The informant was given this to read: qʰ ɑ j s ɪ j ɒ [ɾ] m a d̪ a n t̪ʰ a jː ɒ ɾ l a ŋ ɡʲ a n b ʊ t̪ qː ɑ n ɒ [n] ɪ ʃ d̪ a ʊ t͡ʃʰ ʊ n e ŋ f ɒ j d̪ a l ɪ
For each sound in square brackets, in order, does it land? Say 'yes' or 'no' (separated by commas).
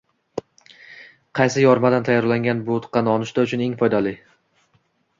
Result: yes, yes